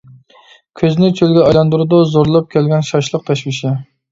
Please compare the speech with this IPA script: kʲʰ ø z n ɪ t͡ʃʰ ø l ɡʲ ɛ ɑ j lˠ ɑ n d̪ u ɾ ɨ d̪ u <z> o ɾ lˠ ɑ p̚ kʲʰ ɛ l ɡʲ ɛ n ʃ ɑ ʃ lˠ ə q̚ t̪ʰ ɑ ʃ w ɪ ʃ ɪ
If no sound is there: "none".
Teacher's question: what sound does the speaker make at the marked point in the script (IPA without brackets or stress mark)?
z